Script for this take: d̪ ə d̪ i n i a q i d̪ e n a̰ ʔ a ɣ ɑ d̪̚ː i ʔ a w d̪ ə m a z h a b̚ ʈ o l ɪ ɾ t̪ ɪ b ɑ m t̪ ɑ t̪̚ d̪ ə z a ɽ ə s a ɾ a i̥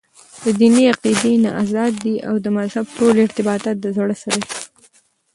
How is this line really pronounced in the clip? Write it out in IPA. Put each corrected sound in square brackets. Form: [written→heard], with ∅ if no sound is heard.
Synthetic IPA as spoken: d̪ ə d̪ i n i a q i d̪ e n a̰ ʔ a [ɣ→z] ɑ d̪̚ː i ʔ a w d̪ ə m a z h a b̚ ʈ o l ɪ ɾ t̪ ɪ b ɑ [m→∅] t̪ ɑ t̪̚ d̪ ə z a ɽ ə s a ɾ a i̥